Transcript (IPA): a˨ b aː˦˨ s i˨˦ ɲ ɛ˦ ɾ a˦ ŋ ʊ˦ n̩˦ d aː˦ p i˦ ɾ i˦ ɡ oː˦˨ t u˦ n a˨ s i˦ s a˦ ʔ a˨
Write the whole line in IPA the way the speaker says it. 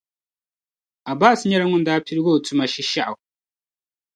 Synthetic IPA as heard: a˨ b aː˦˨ s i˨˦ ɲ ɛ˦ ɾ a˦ ŋ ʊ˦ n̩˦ d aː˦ p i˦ ɾ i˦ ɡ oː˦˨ t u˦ m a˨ ʃ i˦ ʃ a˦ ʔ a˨